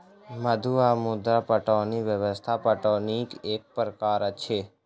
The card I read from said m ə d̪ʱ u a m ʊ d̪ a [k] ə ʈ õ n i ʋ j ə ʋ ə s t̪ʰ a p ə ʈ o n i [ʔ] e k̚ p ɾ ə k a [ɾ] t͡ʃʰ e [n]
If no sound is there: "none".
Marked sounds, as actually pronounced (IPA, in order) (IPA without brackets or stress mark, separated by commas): p, k, ɾ, none